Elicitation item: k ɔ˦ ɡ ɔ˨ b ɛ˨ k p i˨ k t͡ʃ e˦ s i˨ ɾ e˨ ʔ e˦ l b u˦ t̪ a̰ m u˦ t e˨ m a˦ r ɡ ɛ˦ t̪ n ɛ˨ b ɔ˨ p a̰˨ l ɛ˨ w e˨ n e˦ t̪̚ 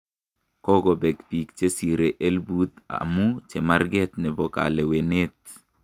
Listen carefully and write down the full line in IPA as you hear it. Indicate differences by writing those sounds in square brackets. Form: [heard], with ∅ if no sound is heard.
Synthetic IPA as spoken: k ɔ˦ ɡ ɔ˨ b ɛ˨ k p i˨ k t͡ʃ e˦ s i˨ ɾ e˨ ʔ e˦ l b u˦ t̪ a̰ m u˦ [t͡ʃ] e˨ m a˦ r ɡ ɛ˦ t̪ n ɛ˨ b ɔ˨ [k] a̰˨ l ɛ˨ w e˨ n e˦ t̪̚